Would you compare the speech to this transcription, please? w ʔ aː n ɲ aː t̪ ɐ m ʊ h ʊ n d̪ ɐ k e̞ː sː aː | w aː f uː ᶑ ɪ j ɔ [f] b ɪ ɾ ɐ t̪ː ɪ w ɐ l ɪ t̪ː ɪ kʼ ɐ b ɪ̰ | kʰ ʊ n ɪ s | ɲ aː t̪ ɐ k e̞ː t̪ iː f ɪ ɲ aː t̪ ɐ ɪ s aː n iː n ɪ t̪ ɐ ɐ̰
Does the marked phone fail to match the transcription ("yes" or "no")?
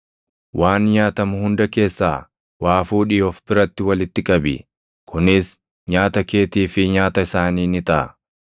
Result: no